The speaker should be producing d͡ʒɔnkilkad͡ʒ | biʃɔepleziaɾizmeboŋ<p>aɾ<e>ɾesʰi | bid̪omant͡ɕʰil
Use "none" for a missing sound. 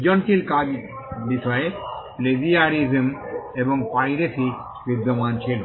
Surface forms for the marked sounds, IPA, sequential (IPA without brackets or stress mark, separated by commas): p, i